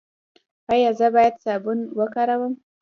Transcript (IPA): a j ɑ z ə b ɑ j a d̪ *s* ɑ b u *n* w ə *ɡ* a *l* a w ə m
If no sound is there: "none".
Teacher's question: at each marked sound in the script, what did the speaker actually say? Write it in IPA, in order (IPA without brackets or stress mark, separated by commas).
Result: s, n, k, ɾ